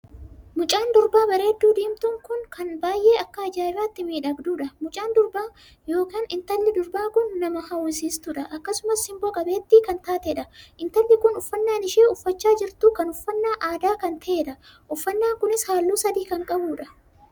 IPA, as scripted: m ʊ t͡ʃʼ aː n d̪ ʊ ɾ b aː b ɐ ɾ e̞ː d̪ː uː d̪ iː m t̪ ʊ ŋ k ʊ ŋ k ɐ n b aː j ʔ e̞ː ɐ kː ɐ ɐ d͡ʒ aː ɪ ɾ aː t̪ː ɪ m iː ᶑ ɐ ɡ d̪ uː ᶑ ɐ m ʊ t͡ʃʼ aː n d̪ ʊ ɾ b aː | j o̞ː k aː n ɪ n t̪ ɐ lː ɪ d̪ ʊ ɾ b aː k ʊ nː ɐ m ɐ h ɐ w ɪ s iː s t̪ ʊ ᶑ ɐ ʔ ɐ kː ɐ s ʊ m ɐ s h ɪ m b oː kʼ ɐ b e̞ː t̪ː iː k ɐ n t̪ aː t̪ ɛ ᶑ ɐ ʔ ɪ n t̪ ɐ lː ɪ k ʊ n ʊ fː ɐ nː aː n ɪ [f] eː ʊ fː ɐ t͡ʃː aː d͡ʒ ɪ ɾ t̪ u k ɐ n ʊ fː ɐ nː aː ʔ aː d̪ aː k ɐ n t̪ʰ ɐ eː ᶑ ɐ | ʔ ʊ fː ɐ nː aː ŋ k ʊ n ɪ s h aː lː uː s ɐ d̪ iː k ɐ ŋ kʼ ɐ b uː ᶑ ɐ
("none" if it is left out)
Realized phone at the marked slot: ʃ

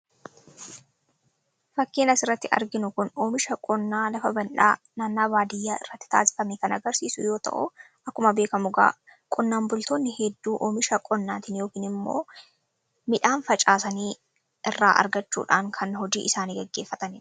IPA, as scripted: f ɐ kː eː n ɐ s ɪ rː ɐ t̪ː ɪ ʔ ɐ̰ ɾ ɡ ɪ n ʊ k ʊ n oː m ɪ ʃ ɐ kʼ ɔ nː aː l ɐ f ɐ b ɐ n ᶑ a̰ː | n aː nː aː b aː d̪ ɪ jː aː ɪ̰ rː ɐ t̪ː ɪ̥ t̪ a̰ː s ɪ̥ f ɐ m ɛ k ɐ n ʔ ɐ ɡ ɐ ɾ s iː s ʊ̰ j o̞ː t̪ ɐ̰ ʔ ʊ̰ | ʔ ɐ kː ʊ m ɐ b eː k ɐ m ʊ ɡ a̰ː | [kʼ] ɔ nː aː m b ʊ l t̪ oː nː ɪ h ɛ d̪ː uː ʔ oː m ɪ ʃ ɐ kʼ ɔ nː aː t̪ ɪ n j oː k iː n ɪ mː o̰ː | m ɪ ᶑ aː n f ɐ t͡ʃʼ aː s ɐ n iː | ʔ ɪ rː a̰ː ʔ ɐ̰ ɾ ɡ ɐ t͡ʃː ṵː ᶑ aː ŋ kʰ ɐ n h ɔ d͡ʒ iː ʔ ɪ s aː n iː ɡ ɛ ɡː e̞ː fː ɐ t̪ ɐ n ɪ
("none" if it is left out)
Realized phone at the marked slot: kʼ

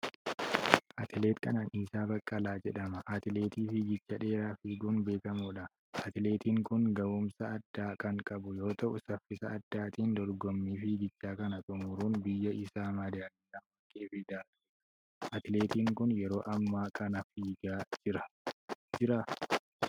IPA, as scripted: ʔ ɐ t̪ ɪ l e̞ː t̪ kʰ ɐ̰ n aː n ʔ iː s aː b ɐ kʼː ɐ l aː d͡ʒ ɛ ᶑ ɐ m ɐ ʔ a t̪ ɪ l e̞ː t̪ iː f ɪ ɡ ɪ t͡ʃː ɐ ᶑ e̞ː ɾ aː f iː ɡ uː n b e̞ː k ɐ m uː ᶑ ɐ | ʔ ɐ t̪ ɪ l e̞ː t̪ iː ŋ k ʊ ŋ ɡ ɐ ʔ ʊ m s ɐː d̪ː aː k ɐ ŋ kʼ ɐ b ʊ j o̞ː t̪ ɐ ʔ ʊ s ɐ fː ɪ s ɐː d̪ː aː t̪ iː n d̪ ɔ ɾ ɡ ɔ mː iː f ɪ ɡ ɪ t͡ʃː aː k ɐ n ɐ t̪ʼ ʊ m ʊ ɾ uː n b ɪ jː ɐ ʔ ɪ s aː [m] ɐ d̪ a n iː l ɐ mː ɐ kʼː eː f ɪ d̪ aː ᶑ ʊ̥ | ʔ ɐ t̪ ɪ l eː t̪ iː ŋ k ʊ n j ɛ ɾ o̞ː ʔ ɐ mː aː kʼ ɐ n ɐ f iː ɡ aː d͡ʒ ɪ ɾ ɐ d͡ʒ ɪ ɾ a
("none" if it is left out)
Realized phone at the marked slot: m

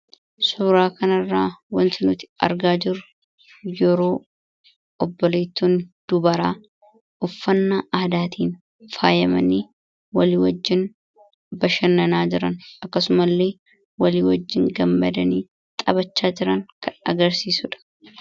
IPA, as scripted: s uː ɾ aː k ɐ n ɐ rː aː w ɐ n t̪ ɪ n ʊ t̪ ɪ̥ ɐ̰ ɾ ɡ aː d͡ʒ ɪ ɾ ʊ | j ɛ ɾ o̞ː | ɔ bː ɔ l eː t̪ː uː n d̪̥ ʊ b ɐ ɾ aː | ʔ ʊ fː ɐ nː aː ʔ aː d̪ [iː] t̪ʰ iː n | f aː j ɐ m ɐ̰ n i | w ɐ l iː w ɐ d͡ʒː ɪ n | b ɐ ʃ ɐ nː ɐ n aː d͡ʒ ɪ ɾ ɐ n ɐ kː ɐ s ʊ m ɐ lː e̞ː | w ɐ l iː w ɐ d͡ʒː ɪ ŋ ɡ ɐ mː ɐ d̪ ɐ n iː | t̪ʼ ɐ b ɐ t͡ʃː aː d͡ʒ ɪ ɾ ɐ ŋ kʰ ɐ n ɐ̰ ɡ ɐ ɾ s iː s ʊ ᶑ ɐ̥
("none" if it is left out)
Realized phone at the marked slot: aː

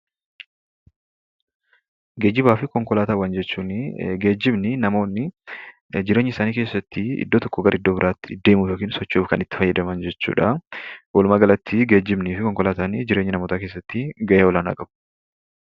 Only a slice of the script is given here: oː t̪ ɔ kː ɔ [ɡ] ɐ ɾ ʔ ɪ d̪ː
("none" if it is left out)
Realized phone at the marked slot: ɡ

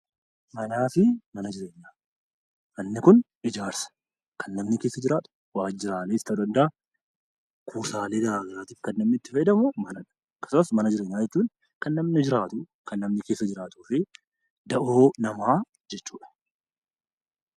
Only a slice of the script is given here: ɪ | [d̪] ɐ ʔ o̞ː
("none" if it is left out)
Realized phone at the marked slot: d̪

